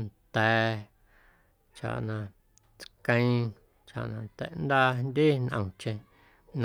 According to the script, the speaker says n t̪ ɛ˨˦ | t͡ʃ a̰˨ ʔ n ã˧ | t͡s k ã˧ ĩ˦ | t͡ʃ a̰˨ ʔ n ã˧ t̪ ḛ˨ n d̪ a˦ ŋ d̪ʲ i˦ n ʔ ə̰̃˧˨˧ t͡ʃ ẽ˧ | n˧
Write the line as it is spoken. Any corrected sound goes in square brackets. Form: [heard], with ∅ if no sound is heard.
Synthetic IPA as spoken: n t̪ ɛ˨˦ | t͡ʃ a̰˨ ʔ n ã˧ | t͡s k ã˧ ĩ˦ | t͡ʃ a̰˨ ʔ n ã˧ t̪ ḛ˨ n d̪ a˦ [n] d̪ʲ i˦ n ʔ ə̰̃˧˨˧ t͡ʃ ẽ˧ | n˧